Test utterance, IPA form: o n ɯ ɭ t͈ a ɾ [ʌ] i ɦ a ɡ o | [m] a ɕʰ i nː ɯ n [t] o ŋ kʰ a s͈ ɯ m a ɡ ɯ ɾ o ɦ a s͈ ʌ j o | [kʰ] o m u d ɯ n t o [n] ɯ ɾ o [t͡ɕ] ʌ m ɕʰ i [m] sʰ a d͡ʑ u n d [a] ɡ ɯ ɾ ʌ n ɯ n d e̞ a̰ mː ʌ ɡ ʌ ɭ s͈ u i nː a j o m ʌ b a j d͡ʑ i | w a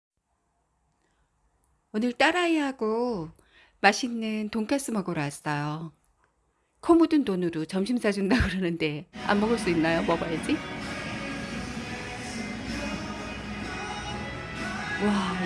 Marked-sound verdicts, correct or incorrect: incorrect: a, correct, correct, correct, correct, correct, correct, correct

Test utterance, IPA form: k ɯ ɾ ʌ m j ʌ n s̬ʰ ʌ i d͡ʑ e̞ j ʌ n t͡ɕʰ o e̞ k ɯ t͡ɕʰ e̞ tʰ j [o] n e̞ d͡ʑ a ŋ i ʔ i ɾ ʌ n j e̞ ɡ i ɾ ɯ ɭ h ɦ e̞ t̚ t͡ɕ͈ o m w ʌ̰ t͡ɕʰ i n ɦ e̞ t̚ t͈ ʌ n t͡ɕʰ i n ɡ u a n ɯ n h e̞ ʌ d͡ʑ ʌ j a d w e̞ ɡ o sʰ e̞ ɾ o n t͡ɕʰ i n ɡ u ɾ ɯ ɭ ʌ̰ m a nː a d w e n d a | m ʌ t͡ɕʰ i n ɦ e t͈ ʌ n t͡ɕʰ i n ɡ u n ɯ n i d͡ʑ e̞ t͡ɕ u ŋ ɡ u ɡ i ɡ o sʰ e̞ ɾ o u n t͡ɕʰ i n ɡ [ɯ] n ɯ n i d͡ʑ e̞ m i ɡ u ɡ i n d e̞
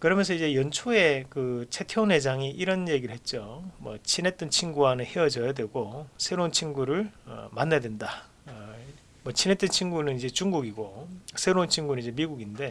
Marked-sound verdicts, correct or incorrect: correct, incorrect: u

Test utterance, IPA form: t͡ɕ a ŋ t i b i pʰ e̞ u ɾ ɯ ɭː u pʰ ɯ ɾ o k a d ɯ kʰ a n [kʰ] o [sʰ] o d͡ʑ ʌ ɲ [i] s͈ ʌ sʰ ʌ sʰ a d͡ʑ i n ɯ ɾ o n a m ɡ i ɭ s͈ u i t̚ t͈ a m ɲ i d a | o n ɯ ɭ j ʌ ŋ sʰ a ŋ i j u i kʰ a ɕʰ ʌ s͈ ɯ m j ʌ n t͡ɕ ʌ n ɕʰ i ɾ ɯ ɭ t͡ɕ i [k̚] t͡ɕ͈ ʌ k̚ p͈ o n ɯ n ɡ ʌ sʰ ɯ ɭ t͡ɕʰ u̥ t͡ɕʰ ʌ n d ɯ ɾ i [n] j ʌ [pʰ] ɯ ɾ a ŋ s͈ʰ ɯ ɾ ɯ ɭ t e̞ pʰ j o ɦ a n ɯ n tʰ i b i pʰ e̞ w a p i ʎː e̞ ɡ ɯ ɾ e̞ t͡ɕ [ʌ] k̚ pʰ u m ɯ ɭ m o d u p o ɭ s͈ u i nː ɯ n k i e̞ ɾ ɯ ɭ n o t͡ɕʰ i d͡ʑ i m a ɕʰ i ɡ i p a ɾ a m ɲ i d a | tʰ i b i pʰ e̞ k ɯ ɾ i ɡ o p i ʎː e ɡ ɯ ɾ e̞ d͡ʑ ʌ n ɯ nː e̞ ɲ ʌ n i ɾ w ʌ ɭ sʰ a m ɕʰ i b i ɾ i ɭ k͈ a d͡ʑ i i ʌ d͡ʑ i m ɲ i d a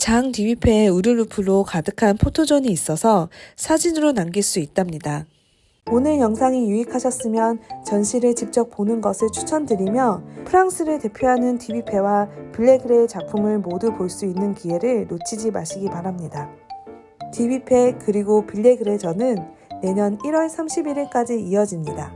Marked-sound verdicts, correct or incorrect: incorrect: pʰ, incorrect: tʰ, incorrect: iː, incorrect: p̚, incorrect: m, correct, incorrect: a

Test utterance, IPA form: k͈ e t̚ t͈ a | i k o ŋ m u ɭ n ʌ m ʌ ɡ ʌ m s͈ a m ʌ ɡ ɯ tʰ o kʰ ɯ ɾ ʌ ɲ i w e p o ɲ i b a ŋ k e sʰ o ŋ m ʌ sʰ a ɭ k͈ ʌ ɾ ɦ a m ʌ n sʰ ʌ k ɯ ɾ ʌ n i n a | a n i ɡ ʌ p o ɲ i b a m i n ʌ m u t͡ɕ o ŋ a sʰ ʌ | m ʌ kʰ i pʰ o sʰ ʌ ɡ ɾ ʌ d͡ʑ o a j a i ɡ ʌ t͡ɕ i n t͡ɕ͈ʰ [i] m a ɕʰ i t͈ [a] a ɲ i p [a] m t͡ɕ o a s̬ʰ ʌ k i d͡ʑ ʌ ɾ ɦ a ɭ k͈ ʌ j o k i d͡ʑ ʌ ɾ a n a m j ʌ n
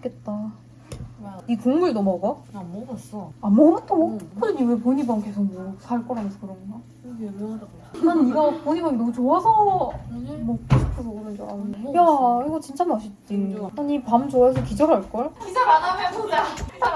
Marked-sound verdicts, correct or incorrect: incorrect: a, incorrect: i, correct

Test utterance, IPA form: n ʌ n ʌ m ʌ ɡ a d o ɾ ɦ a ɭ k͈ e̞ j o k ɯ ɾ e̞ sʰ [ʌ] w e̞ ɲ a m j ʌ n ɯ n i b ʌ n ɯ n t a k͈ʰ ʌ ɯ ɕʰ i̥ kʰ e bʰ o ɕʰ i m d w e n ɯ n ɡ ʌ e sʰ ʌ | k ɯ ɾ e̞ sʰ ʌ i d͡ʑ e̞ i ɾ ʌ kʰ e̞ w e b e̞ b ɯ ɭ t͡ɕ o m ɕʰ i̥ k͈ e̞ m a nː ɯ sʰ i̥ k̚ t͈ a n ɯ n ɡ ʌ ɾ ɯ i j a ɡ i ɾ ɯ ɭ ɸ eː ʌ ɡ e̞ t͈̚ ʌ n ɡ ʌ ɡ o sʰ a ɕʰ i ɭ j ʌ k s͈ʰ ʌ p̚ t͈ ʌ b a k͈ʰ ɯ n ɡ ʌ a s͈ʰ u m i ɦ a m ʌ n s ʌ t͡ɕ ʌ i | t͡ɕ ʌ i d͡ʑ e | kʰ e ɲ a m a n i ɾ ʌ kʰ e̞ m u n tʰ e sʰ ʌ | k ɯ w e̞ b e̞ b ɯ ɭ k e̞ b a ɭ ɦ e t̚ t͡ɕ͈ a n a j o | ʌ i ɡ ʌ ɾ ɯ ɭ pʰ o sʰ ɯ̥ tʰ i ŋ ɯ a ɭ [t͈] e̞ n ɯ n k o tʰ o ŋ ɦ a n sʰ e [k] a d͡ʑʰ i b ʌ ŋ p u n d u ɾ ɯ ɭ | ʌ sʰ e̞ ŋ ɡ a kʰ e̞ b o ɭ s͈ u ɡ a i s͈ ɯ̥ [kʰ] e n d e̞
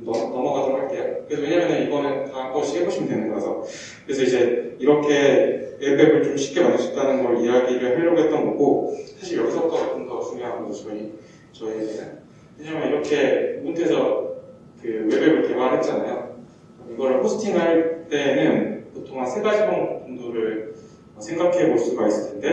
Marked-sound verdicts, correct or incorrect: correct, correct, incorrect: ɡ, incorrect: tʰ

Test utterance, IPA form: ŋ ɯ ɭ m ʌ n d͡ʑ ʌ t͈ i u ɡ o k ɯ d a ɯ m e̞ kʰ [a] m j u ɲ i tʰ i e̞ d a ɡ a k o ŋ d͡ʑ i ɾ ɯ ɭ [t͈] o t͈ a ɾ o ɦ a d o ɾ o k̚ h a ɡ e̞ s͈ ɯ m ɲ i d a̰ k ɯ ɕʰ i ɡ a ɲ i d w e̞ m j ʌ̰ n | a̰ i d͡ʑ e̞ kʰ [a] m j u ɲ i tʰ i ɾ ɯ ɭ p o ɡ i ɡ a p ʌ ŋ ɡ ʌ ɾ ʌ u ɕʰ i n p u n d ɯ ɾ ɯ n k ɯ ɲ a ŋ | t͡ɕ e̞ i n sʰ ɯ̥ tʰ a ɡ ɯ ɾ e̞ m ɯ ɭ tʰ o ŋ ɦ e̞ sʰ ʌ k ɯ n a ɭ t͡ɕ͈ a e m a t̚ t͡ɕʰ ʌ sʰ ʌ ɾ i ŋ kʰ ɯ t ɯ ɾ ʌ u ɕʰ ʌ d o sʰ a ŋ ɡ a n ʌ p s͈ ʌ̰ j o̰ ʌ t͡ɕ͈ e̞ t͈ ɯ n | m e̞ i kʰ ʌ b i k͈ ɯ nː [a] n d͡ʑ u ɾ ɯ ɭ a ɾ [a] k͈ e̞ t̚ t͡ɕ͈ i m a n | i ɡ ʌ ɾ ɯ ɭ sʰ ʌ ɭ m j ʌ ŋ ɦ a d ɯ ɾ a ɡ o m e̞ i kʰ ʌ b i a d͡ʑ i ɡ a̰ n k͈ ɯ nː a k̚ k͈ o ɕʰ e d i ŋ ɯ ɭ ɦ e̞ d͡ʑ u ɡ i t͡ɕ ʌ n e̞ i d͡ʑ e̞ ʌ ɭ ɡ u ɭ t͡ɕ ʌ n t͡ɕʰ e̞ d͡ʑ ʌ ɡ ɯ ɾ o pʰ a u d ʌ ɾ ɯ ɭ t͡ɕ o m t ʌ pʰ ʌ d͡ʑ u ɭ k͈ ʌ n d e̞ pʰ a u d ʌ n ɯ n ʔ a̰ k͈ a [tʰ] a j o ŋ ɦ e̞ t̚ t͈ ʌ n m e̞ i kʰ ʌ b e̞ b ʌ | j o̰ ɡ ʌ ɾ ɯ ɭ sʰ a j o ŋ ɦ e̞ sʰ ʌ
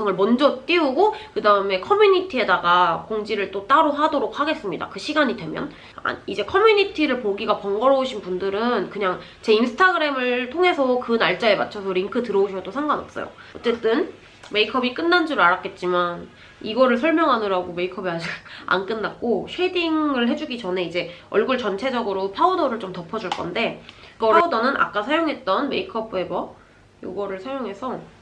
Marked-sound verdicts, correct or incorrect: incorrect: ʌ, correct, incorrect: ʌ, correct, correct, incorrect: sʰ

